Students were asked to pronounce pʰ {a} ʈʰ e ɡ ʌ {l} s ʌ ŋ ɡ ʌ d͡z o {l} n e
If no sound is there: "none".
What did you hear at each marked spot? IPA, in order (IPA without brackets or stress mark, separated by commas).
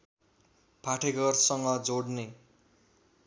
a, r, ɽ